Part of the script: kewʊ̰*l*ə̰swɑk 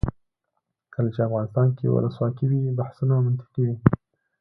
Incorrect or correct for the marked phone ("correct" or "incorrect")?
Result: correct